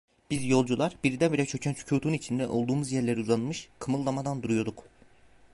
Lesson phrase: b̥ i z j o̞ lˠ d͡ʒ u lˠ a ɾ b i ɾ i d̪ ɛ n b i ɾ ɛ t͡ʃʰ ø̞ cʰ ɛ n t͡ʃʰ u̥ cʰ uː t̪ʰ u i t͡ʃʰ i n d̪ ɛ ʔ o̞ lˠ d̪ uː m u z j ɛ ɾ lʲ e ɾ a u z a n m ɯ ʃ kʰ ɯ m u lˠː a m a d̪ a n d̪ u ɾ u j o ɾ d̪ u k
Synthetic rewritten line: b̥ i z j o̞ lˠ d͡ʒ u lˠ a ɾ b i ɾ i d̪ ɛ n b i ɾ ɛ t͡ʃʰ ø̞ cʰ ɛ n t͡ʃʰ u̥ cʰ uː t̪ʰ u i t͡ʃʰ i n d̪ ɛ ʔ o̞ lˠ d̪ uː m u z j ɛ ɾ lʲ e ɾ i u z a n m ɯ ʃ kʰ ɯ m ɯ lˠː a m a d̪ a n d̪ u ɾ u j o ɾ d̪ u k